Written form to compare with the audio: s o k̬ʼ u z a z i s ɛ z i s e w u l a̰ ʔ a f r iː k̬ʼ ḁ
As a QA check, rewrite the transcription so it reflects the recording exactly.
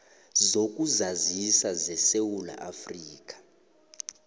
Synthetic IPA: z o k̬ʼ u z a z i s a z ɛ s e w u l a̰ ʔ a f r iː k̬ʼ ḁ